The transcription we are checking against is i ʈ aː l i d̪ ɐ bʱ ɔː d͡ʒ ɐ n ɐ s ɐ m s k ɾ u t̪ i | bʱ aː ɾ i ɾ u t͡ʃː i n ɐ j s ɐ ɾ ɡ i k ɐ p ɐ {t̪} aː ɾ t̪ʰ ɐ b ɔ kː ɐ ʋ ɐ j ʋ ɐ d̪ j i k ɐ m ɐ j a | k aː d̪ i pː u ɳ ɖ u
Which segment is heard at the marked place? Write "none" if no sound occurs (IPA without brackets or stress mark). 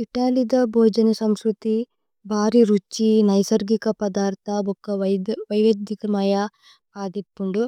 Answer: d̪